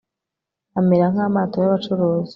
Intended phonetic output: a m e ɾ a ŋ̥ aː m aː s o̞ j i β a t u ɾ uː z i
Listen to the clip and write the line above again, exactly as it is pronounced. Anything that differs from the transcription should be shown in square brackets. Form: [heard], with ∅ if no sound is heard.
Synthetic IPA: a m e ɾ a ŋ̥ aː m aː [t] o̞ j [a] β a [t͡ʃ] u ɾ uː z i